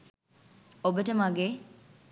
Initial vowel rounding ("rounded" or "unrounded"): rounded